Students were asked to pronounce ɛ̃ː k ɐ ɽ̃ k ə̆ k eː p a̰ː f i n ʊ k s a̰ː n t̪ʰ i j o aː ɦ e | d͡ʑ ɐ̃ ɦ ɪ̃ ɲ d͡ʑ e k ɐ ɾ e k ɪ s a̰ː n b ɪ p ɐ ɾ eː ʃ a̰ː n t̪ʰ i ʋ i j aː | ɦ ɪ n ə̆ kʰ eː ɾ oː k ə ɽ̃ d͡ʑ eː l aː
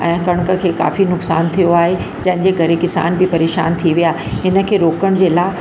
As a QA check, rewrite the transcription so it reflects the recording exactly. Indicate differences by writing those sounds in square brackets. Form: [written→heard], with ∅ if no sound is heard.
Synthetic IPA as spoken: ɛ̃ː k ɐ ɽ̃ k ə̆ [k→kʰ] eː [p→k] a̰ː f i n ʊ k s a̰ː n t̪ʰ i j o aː ɦ e | d͡ʑ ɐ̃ ɦ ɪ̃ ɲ d͡ʑ e k ɐ ɾ e k ɪ s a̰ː n b ɪ p ɐ ɾ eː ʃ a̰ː n t̪ʰ i ʋ i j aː | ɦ ɪ n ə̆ kʰ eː ɾ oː k ə ɽ̃ d͡ʑ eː l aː